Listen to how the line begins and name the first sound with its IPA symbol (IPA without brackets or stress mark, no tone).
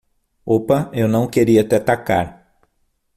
o